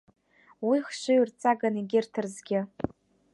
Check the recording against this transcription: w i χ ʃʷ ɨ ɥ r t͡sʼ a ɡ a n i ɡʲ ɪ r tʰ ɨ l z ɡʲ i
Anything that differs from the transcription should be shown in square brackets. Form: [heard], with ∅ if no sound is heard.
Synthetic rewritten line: w i χ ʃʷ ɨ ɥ r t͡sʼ a ɡ a n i ɡʲ ɪ r tʰ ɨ [r] z ɡʲ [ɪ]